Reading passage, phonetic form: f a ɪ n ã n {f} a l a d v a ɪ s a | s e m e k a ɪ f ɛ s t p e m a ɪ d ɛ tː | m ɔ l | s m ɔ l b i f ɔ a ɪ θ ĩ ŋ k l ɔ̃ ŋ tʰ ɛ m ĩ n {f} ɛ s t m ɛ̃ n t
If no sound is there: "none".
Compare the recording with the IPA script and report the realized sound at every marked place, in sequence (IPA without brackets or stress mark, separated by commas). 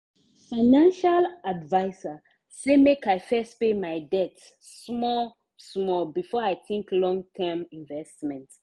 ʃ, v